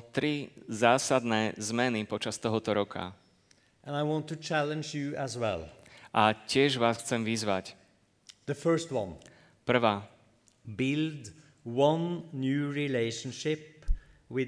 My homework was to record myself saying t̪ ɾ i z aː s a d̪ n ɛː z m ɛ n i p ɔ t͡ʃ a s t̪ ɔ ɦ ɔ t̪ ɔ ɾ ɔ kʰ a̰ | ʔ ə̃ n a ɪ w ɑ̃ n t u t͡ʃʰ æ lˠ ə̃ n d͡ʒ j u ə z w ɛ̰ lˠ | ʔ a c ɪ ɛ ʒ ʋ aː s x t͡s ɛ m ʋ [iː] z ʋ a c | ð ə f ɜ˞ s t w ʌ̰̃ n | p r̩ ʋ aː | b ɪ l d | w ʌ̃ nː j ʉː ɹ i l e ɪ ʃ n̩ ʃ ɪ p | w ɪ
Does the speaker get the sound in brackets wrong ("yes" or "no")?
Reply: yes